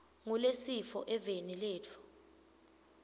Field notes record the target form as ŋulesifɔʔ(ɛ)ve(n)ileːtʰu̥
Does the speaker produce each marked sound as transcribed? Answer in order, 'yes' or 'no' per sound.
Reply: yes, yes

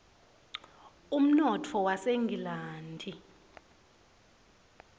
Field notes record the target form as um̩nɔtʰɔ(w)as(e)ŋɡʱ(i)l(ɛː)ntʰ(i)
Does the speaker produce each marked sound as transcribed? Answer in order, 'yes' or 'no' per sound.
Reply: yes, yes, yes, no, yes

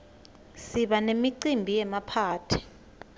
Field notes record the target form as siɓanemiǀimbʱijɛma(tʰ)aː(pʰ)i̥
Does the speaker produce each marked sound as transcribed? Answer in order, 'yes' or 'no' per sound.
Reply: no, no

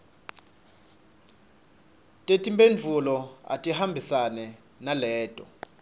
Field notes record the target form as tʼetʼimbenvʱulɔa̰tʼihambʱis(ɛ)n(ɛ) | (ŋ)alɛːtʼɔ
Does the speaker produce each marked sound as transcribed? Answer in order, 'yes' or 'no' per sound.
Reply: no, yes, no

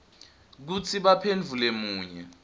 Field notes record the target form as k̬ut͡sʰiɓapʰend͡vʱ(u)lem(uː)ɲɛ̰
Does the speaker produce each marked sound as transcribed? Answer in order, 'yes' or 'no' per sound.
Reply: yes, yes

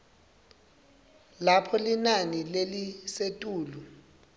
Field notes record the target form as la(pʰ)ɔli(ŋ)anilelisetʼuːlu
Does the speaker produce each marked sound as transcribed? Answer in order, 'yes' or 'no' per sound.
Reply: yes, no

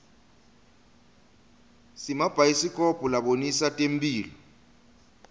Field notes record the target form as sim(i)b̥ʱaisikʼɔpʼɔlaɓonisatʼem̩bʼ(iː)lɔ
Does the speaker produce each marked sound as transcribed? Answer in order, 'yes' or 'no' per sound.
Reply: no, yes

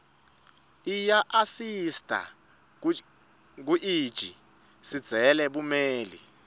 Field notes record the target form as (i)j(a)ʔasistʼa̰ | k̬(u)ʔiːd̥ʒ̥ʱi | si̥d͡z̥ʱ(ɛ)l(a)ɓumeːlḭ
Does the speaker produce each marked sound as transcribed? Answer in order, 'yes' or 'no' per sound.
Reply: yes, yes, yes, yes, no

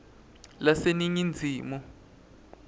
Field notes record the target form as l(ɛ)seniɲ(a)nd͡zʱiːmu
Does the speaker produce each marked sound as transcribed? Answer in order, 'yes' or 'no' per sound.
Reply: no, no

